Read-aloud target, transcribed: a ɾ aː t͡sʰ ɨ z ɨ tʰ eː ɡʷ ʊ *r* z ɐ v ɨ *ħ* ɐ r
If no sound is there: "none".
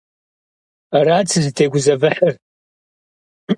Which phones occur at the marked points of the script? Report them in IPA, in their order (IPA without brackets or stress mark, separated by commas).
none, ħ